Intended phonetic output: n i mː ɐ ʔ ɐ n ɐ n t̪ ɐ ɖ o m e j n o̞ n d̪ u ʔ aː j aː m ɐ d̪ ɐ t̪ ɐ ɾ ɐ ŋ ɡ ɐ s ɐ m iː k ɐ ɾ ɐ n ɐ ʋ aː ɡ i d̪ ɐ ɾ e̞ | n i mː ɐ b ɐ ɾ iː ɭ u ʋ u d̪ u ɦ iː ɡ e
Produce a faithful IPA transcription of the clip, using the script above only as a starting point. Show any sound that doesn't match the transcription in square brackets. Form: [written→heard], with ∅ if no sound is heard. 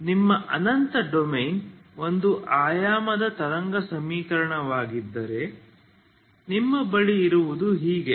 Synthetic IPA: n i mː ɐ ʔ ɐ n ɐ n t̪ ɐ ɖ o m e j n o̞ n d̪ u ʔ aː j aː m ɐ d̪ ɐ t̪ ɐ ɾ ɐ ŋ ɡ ɐ s ɐ m iː k ɐ ɾ ɐ [n→ɳ] ɐ ʋ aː ɡ i [d̪→d̪ː] ɐ ɾ e̞ | n i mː ɐ b ɐ [ɾ→ɭ] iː [ɭ→ɾ] u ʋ u d̪ u ɦ iː ɡ e